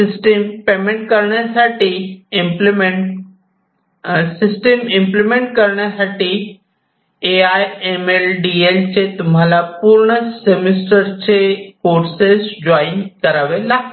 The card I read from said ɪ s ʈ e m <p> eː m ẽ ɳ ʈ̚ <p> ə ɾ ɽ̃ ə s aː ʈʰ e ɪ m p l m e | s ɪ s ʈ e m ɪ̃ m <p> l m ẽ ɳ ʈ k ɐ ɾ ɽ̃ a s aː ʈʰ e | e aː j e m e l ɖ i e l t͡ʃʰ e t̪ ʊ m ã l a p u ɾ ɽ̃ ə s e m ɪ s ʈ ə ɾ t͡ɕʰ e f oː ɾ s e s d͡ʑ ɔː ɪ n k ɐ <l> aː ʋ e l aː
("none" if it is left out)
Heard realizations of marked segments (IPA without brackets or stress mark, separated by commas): p, k, p, ɾ